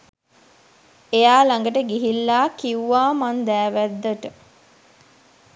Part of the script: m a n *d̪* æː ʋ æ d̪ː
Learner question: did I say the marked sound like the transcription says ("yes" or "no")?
yes